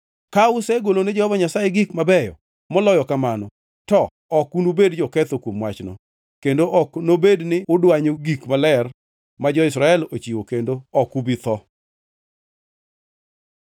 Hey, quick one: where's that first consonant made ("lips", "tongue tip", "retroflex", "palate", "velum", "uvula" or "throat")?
velum